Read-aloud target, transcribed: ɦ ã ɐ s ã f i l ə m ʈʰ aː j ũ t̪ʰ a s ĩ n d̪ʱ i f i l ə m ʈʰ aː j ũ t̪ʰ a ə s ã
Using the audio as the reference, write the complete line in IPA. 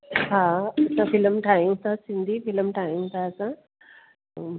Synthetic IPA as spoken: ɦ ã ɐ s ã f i l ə m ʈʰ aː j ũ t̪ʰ a s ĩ n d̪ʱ i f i l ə m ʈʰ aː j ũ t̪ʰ a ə s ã